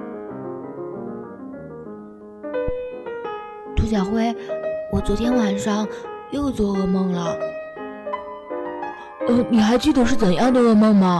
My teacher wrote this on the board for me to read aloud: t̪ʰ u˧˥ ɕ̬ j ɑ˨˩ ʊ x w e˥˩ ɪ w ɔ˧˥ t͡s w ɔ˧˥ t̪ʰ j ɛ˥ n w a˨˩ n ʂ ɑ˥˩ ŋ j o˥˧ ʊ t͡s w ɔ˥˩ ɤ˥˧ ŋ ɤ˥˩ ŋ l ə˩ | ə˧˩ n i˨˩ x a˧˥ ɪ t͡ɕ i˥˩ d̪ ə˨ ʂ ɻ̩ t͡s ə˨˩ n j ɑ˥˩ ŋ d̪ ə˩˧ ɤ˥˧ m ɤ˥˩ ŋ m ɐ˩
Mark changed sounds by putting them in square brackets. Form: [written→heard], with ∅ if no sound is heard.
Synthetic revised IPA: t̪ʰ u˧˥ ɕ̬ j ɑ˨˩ ʊ x w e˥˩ ɪ w [ɔ˧˥→ɔ˨˩] t͡s w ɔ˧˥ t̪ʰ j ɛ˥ n w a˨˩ n ʂ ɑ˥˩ ŋ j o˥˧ ʊ t͡s w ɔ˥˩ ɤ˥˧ [ŋ→m] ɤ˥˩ ŋ l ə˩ | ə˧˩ n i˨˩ x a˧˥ ɪ t͡ɕ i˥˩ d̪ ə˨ ʂ ɻ̩ t͡s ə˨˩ n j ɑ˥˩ ŋ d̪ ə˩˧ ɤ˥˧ m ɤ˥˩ ŋ m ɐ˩